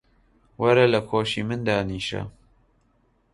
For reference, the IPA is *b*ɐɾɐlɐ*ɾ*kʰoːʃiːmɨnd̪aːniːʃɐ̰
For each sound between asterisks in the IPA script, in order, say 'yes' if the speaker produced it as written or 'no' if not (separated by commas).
no, no